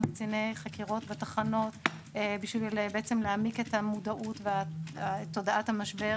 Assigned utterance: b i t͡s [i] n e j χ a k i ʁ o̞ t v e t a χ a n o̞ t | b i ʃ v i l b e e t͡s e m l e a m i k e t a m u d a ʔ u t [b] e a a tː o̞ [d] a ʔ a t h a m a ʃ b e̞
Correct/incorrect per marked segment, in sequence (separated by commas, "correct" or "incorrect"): correct, incorrect, correct